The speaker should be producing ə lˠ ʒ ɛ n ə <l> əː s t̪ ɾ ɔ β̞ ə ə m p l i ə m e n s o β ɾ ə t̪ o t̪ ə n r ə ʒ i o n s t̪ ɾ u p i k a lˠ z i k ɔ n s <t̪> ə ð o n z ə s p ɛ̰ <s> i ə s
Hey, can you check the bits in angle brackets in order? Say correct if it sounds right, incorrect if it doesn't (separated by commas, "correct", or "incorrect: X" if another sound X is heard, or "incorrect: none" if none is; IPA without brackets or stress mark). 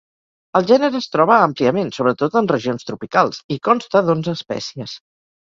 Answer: incorrect: ɾ, correct, correct